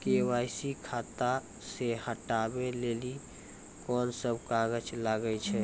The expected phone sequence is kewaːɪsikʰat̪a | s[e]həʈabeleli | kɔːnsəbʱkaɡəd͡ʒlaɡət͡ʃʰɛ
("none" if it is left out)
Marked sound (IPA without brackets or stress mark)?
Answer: e